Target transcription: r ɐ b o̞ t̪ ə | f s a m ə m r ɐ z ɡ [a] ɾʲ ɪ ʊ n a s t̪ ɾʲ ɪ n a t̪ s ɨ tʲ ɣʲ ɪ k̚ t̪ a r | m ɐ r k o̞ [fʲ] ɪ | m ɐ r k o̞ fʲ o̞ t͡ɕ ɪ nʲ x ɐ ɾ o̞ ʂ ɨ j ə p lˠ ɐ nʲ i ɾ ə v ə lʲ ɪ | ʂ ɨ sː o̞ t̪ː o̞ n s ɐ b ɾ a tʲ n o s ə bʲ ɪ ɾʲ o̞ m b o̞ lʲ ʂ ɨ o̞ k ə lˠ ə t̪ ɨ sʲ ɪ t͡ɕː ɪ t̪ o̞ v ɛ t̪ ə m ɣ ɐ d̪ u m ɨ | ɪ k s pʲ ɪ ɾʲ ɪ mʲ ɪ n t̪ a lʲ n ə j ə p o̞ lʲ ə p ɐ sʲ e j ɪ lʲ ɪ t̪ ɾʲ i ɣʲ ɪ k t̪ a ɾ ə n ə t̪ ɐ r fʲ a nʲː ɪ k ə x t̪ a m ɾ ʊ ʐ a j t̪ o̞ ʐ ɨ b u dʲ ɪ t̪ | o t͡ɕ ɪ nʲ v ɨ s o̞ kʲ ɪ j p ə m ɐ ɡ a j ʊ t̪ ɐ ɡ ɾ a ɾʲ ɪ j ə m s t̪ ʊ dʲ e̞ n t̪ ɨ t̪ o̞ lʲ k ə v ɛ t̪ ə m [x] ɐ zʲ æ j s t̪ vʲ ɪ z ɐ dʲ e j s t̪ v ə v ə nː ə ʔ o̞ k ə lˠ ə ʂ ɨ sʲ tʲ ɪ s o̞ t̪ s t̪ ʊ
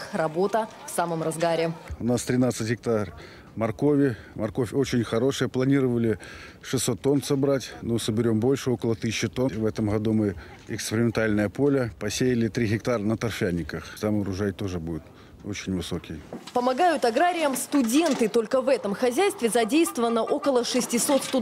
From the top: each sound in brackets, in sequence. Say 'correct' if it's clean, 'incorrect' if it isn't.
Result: correct, incorrect: vʲ, correct

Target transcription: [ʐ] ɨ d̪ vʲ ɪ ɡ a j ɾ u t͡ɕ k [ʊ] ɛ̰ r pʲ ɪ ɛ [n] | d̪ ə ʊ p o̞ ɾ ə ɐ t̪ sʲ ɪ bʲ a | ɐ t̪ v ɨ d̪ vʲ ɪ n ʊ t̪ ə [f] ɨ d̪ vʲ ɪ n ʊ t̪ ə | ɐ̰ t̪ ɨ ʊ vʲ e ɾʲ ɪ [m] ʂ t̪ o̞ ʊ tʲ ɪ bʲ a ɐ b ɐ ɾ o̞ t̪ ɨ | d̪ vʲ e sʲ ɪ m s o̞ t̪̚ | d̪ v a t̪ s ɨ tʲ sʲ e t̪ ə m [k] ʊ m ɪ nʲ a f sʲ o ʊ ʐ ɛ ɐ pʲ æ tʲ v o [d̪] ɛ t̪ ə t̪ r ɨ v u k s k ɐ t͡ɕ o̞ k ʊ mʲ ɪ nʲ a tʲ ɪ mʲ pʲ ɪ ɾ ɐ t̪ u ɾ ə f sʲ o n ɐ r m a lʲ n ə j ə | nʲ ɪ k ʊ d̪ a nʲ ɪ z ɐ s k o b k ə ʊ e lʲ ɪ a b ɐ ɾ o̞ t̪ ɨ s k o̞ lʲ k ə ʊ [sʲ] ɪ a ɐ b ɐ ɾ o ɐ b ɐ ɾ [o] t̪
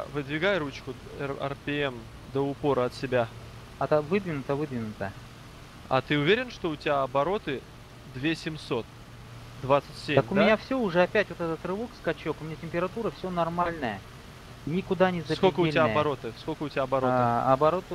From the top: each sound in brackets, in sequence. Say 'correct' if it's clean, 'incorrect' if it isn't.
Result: incorrect: v, correct, incorrect: m, incorrect: v, incorrect: n, correct, incorrect: t̪, incorrect: tʲ, correct

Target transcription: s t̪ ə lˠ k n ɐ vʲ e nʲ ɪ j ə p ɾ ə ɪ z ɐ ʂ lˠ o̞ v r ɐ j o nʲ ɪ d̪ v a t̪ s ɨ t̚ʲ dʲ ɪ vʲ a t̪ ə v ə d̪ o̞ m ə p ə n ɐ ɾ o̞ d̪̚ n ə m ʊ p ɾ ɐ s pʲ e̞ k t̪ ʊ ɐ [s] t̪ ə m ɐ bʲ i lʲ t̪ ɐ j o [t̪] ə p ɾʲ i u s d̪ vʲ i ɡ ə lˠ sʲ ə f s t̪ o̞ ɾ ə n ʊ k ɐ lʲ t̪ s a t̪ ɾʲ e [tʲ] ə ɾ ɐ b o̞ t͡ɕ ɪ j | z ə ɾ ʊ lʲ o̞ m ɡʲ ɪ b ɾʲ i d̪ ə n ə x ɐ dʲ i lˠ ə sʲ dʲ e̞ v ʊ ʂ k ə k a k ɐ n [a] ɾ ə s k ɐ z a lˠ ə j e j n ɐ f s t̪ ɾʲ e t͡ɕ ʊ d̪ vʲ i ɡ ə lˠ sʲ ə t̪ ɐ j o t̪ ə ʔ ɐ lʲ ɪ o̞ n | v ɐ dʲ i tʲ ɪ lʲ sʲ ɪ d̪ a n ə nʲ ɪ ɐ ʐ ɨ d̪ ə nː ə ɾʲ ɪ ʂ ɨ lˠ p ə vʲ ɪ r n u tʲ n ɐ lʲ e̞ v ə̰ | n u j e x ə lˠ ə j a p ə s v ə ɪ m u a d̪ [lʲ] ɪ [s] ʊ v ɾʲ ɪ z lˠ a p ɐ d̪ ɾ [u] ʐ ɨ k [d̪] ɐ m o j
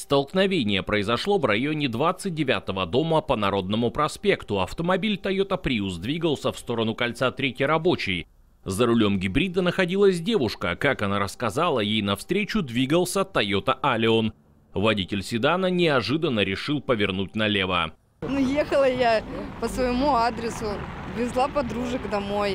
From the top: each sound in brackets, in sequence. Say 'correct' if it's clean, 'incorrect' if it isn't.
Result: incorrect: f, correct, correct, correct, incorrect: ɾʲ, correct, correct, correct

